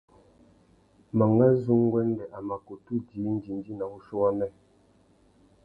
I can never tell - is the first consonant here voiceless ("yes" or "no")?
no